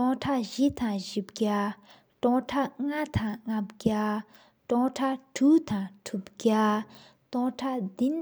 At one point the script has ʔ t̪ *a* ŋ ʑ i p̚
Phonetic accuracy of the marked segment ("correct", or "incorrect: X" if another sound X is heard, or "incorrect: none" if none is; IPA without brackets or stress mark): correct